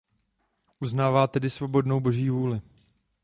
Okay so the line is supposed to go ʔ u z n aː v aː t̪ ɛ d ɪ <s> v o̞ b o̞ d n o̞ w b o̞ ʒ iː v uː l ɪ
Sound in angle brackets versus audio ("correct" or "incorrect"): correct